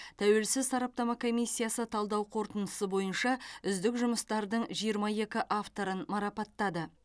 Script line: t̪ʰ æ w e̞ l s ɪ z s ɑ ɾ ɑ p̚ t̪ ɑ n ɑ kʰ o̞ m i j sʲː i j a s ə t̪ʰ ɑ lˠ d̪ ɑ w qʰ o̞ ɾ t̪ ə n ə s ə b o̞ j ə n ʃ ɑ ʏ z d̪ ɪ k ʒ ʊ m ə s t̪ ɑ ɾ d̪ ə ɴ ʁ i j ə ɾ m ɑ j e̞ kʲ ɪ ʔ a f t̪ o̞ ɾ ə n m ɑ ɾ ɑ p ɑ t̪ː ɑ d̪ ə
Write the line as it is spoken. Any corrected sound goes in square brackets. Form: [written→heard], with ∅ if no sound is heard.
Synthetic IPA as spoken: t̪ʰ æ w e̞ l s ɪ z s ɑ ɾ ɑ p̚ t̪ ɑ [n→m] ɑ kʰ o̞ m i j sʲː i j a s ə t̪ʰ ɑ lˠ d̪ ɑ w qʰ o̞ ɾ t̪ ə n ə s ə b o̞ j ə n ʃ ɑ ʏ z d̪ ɪ k ʒ ʊ m ə s t̪ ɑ ɾ d̪ ə ɴ [ʁ→ʒ] i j ə ɾ m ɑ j e̞ kʲ ɪ ʔ a f t̪ o̞ ɾ ə n m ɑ ɾ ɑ p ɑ t̪ː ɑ d̪ ə